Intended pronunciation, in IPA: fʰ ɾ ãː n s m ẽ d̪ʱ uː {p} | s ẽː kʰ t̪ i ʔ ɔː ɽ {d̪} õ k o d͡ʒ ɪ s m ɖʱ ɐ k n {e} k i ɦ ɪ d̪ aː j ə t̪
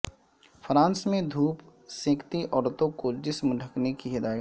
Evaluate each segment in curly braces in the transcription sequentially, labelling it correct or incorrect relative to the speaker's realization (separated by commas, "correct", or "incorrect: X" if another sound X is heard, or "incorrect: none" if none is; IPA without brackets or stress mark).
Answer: correct, incorrect: t̪, correct